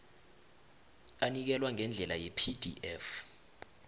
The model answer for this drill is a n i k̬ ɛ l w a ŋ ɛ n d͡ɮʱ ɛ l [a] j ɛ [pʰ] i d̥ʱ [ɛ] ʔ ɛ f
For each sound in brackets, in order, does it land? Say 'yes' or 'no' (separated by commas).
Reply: yes, yes, no